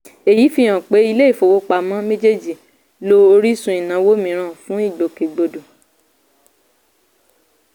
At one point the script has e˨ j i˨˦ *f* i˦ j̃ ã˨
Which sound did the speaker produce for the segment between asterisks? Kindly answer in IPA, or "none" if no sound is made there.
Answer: f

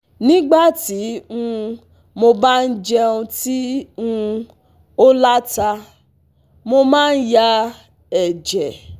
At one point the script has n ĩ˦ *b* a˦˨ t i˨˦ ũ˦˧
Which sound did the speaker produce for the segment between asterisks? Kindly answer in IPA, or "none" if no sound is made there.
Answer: ɡ͡b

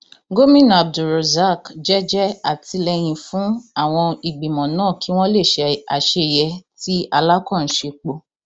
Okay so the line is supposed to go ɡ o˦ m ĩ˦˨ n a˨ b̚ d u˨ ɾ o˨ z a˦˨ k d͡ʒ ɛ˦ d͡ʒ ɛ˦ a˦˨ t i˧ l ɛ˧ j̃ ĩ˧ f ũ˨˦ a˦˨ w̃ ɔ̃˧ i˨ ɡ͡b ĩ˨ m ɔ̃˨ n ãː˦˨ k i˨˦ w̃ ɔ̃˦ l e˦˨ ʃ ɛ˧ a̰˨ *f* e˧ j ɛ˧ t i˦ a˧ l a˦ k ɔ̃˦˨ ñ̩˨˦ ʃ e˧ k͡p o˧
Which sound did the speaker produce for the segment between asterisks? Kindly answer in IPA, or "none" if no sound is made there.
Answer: ʃ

